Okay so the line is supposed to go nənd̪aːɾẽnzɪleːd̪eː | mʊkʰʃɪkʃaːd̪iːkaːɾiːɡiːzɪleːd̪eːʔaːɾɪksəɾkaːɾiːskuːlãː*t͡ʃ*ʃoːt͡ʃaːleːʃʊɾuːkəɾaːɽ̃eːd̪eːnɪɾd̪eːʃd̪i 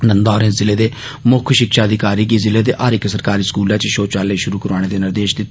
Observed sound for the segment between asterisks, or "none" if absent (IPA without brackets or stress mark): t͡ʃ